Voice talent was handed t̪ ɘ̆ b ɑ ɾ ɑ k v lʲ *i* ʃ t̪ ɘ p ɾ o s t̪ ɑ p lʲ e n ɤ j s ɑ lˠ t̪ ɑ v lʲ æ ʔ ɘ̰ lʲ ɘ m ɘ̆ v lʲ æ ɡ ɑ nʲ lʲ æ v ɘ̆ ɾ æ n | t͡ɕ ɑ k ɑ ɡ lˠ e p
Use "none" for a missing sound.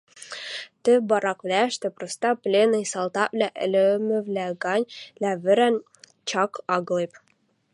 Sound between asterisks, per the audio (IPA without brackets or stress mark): æ